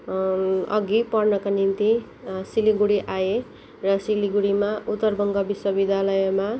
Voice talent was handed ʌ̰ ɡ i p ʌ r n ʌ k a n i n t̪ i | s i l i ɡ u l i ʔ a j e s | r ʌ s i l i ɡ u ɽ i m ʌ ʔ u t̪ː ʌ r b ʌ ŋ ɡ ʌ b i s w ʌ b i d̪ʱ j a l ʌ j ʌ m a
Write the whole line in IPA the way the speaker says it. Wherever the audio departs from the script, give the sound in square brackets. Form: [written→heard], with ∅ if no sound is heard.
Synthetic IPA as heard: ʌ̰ ɡ i p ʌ r n ʌ k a n i n t̪ i | s i l i ɡ u [l→ɽ] i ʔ a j e [s→∅] | r ʌ s i l i ɡ u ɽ i m [ʌ→a] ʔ u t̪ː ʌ r b ʌ ŋ ɡ ʌ b i s w ʌ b i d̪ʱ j a l ʌ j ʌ m a